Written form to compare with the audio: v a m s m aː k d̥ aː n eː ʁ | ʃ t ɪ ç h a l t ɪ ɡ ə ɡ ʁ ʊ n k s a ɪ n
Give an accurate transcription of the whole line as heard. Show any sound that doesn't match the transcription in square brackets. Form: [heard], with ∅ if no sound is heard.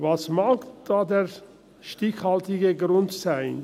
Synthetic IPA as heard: v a [∅] s m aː k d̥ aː [d] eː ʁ | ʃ t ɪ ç h a l t ɪ ɡ ə ɡ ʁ ʊ n [t] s a ɪ n